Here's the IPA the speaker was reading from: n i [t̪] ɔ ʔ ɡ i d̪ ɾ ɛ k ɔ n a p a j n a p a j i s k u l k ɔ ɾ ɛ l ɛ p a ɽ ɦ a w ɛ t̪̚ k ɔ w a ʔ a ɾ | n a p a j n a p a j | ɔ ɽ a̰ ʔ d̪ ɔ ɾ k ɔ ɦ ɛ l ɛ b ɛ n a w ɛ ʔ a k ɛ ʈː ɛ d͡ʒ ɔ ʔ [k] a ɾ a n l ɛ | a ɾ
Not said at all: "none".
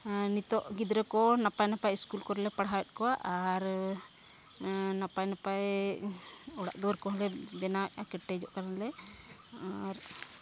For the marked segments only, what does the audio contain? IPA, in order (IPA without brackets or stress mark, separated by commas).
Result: t̪, k